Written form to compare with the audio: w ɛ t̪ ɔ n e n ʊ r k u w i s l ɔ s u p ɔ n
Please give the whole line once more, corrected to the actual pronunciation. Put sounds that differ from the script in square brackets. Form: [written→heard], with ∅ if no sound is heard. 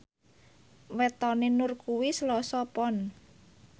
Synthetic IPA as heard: w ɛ t̪ ɔ n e n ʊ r k u w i s l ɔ s [u→ɔ] p ɔ n